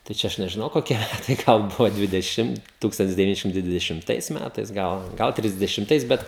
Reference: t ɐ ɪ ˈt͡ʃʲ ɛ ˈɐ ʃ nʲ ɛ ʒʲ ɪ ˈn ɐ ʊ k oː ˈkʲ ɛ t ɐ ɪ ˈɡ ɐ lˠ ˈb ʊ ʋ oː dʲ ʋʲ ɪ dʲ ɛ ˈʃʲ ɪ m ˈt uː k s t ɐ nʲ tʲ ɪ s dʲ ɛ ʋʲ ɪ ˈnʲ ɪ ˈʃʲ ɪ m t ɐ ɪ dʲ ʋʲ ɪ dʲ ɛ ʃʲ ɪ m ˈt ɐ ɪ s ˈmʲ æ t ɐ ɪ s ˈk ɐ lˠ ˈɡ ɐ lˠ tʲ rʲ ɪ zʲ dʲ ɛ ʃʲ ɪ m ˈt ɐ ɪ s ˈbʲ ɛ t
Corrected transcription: t ɐ ɪ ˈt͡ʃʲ ɛ ˈɐ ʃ nʲ ɛ ʒʲ ɪ ˈn ɐ ʊ k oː ˈkʲ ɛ t ɐ ɪ ˈɡ ɐ lˠ ˈb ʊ ʋ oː dʲ ʋʲ ɪ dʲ ɛ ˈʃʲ ɪ m ˈt uː k s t ɐ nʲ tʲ ɪ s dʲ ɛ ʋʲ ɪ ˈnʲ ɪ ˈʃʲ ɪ m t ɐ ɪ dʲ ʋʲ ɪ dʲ ɛ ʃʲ ɪ m ˈt ɐ ɪ s ˈmʲ æ t ɐ ɪ s ˈɡ ɐ lˠ ˈɡ ɐ lˠ tʲ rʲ ɪ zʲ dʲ ɛ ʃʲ ɪ m ˈt ɐ ɪ s ˈbʲ ɛ t